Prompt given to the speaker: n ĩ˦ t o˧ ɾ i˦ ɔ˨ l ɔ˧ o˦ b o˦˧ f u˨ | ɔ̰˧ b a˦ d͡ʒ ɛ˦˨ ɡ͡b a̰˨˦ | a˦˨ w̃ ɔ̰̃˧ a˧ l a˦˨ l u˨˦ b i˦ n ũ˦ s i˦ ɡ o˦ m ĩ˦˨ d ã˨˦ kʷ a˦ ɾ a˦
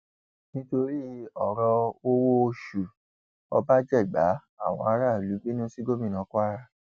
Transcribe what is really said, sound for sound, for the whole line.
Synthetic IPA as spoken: n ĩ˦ t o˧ ɾ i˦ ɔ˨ ɾ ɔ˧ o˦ w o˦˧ ʃ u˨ | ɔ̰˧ b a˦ d͡ʒ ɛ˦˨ ɡ͡b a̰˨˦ | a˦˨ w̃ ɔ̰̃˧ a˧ ɾ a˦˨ l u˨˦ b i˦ n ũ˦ s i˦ ɡ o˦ m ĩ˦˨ n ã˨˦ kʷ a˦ ɾ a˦